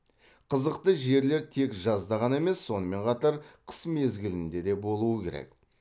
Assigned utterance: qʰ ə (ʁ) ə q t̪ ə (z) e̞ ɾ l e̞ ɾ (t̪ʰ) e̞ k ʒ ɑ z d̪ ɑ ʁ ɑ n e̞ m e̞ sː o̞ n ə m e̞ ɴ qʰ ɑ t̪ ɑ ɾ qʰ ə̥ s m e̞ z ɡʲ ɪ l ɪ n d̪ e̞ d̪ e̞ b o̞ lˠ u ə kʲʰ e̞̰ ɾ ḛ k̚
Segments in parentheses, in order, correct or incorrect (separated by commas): incorrect, incorrect, correct